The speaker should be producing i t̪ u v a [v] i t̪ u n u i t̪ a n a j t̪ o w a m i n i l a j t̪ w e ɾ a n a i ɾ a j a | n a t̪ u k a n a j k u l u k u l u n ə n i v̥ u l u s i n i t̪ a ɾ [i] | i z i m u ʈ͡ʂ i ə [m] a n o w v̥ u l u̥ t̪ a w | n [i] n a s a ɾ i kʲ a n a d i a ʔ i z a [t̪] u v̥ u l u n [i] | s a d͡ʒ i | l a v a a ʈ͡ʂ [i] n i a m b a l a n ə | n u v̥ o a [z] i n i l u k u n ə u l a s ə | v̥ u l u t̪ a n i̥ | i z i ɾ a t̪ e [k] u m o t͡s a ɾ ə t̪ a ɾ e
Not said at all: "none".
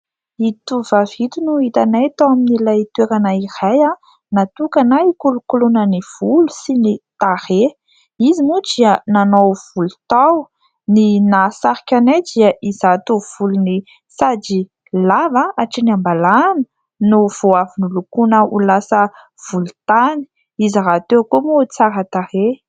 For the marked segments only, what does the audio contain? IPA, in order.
v, e, n, i, t̪, i, i, v, k

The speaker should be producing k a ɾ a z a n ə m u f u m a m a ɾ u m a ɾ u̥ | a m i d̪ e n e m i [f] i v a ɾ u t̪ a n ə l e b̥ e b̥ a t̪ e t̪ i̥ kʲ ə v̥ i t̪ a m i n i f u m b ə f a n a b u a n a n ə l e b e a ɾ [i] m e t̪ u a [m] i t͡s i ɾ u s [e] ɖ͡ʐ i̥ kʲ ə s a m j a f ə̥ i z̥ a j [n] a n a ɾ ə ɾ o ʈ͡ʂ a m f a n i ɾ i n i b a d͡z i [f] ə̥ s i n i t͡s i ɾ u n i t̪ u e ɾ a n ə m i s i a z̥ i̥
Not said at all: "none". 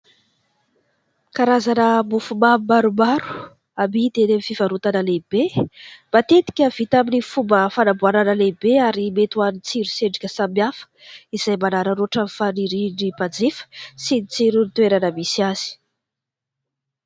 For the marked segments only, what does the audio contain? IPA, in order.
f, i, n, e, m, f

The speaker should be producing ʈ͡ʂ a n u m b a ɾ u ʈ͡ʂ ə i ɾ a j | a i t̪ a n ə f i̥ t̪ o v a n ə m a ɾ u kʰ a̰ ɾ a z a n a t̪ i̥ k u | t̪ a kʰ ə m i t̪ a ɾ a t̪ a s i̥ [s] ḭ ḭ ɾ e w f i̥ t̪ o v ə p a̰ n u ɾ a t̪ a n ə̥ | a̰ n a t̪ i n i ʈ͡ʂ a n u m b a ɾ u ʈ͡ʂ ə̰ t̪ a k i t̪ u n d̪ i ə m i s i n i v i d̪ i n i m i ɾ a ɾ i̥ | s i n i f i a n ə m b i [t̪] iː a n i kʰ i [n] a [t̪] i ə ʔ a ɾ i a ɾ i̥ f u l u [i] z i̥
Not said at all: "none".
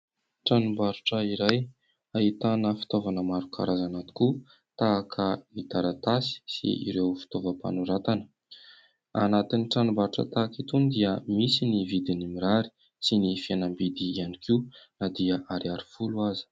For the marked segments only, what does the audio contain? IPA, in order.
s, d̪, n, d̪, a

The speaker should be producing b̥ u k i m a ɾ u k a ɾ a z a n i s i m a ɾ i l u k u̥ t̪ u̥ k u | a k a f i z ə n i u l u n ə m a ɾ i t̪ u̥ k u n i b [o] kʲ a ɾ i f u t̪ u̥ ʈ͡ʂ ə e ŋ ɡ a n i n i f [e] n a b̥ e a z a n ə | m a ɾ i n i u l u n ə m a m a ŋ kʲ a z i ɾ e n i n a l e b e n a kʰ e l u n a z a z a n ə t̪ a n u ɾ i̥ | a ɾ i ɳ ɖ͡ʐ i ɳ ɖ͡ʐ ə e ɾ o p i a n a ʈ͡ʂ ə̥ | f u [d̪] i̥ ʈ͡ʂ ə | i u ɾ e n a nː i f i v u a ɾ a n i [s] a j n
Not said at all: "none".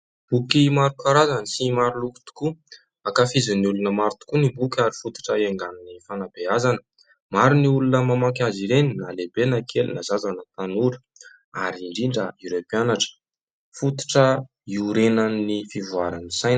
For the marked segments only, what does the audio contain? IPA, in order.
u, a, t̪, s

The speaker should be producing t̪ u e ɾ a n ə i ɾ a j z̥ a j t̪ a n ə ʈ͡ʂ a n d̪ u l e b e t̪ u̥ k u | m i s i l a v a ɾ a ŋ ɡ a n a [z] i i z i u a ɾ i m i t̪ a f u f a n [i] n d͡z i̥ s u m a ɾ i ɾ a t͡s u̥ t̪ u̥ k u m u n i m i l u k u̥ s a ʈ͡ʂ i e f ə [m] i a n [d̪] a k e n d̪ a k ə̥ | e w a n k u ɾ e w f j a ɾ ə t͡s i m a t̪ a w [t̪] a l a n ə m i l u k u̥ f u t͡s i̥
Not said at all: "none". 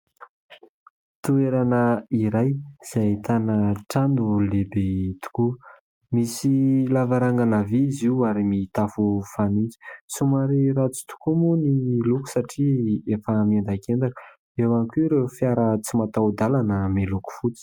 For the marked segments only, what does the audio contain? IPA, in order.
v, i, m, d̪, d̪

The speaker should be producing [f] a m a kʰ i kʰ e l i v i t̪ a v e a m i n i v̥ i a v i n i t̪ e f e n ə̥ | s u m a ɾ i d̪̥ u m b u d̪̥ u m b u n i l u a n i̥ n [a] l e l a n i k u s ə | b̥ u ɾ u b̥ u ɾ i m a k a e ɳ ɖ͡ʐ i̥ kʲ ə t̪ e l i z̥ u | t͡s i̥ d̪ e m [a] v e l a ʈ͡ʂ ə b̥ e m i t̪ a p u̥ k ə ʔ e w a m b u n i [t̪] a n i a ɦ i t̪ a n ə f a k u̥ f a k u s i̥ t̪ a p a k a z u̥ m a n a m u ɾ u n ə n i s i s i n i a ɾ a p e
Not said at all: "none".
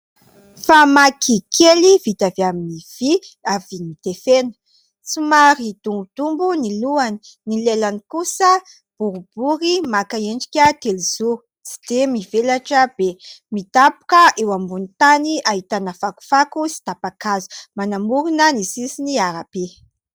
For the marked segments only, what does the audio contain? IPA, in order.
f, i, i, t̪

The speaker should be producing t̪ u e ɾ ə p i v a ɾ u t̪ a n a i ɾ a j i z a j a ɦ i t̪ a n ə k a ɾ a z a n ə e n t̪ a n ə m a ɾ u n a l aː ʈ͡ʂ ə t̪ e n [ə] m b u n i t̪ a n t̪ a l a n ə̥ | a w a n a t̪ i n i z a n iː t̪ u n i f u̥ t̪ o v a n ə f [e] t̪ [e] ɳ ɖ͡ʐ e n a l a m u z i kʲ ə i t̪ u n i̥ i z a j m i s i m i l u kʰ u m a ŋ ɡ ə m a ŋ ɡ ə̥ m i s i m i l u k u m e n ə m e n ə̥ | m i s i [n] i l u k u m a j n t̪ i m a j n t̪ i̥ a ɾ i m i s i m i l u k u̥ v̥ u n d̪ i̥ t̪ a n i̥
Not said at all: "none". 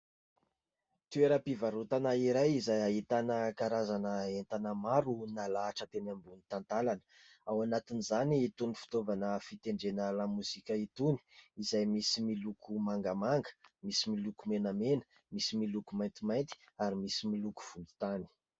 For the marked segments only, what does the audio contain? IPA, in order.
a, i, e, m

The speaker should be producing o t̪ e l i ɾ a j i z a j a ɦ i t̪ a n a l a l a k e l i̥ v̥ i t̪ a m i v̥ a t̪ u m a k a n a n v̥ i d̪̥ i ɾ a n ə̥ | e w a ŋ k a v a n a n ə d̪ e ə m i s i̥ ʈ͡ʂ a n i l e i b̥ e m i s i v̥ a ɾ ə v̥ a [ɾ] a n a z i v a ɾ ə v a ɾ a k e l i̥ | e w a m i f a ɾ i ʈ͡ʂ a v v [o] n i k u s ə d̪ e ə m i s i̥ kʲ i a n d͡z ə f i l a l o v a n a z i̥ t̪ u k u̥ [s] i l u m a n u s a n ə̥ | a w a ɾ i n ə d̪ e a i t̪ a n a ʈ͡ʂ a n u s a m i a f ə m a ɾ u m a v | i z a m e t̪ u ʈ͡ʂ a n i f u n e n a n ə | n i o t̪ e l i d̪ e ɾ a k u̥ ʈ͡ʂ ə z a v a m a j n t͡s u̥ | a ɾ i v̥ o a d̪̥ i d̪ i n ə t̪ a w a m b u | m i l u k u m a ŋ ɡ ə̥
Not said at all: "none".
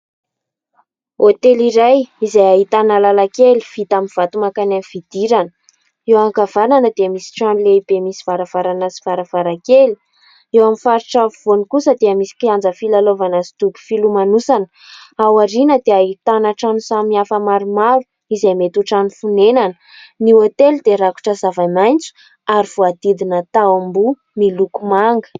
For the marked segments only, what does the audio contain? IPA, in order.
ɾ, o, f

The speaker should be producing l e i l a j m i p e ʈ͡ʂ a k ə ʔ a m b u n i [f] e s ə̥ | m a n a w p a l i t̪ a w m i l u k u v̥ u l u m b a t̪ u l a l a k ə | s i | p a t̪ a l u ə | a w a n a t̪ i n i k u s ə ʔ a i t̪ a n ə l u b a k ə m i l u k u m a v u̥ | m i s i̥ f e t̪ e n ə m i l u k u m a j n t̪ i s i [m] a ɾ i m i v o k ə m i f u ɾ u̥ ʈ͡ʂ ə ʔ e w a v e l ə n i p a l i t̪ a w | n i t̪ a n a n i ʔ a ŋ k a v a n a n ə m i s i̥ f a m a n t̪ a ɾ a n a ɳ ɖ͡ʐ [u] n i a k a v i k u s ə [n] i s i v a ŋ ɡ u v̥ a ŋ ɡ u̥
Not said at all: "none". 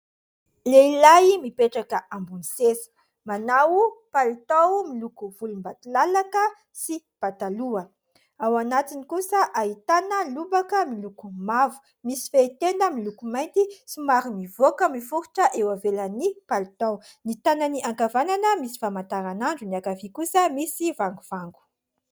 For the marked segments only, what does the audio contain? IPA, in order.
s, m, u, m

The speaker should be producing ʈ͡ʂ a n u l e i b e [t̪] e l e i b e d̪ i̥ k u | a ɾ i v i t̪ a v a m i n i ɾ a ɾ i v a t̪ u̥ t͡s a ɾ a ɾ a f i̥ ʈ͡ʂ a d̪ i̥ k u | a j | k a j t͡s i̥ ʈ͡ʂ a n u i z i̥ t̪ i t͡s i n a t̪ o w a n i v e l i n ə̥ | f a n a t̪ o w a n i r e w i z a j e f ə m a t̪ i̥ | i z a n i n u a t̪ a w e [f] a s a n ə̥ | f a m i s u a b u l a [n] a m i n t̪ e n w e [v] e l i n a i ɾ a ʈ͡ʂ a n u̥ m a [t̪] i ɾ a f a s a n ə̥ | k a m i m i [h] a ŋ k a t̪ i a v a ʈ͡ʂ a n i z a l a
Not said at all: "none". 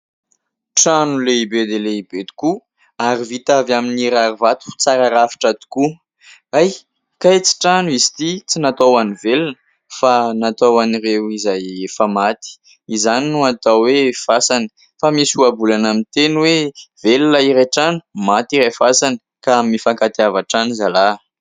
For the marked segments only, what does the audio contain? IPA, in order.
d̪, f, n, v, t̪, f

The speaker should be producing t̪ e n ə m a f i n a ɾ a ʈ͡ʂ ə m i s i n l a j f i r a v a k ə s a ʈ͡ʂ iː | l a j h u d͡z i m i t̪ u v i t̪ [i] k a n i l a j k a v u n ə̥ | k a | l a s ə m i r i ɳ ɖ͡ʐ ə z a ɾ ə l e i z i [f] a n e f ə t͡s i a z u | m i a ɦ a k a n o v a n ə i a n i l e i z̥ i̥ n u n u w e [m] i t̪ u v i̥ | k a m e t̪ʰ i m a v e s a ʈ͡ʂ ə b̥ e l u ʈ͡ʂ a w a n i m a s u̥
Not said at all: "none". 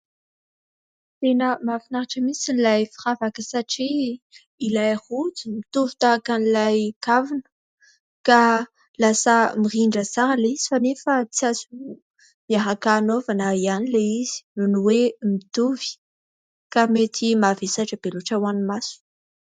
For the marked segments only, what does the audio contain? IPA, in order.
a, f, m

